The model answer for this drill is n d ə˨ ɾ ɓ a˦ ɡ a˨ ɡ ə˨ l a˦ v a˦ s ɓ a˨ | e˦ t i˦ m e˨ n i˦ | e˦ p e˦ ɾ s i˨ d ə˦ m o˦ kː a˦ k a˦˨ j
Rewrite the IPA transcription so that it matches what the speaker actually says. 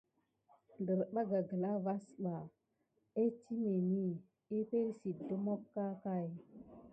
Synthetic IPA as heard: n d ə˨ ɾ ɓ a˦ ɡ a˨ ɡ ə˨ l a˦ v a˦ s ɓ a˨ | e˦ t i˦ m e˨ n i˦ | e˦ p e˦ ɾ s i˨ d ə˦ m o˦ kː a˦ k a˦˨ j

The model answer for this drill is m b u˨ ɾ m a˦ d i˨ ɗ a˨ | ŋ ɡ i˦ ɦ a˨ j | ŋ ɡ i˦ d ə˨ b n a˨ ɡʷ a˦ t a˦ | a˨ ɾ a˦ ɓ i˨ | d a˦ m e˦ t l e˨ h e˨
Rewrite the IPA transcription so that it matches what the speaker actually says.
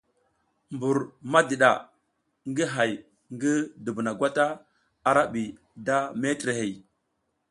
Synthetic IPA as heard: m b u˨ ɾ m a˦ d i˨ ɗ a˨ | ŋ ɡ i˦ ɦ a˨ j | ŋ ɡ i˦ d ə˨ b n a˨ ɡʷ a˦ t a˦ | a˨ ɾ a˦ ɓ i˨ | d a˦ m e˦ t ɾ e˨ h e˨

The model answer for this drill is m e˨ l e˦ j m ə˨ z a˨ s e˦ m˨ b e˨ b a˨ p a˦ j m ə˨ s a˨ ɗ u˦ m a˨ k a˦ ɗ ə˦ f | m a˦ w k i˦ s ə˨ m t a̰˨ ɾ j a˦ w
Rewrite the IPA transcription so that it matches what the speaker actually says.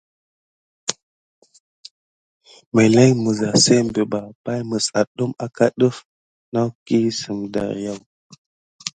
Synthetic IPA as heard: m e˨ l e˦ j m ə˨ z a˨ s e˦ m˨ b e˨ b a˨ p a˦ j m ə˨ s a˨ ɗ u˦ m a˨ k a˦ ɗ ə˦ f | n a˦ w k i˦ s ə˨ m d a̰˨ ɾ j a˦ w

